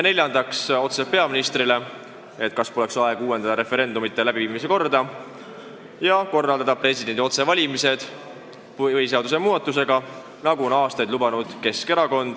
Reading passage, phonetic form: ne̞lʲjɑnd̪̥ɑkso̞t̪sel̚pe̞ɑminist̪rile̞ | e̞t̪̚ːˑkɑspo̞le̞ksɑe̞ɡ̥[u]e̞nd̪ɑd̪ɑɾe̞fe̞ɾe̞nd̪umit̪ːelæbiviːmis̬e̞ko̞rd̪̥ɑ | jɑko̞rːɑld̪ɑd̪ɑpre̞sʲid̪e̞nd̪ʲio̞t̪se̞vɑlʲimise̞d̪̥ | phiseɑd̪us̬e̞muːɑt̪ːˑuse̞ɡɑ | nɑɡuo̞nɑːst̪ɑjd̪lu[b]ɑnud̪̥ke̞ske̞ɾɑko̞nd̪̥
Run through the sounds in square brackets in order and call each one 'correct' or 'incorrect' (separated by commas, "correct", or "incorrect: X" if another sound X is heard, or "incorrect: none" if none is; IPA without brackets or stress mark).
incorrect: uː, correct